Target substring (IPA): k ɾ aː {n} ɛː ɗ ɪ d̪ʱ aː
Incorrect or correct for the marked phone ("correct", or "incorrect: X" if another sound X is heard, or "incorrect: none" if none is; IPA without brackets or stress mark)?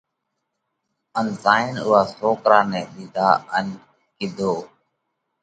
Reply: correct